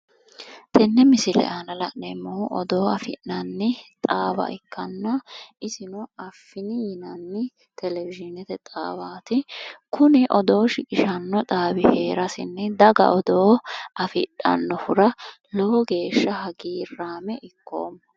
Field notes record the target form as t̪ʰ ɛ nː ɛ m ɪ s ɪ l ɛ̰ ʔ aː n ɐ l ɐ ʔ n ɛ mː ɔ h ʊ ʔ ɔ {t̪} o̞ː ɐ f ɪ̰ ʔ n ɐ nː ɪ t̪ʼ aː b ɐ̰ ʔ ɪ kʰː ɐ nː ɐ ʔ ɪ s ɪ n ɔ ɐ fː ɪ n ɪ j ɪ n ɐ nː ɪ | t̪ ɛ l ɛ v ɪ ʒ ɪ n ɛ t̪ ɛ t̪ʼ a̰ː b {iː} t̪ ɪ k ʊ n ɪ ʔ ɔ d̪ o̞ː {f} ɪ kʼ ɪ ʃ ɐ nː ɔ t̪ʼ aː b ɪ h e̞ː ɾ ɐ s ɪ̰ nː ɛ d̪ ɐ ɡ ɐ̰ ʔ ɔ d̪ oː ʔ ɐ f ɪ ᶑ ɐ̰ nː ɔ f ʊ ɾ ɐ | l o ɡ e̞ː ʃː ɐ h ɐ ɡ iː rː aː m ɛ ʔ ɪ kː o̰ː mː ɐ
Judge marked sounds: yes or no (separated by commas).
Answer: no, no, no